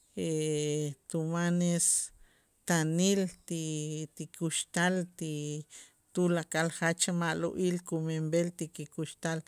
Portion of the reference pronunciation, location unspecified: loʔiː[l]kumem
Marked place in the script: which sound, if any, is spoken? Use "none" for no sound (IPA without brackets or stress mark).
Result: l